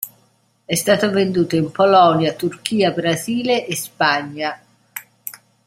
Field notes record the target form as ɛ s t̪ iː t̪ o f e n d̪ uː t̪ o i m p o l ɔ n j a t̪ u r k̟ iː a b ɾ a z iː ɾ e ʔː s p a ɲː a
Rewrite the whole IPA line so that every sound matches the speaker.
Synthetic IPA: ɛ s t̪ aː t̪ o v e n d̪ uː t̪ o i m p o l ɔ n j a t̪ u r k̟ iː a b ɾ a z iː l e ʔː s p a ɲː a